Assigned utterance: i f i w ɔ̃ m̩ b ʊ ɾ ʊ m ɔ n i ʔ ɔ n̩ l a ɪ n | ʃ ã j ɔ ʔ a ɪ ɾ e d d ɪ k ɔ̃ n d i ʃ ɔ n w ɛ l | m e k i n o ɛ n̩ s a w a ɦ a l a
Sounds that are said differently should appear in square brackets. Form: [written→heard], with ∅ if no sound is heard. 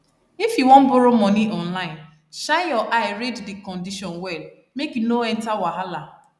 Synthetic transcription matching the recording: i f i w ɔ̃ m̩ b ʊ ɾ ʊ m ɔ n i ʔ ɔ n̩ l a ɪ n | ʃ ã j ɔ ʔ a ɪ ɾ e d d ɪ k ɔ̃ n d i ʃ ɔ n w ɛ l | m e k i n o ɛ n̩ [s→t] a w a ɦ a l a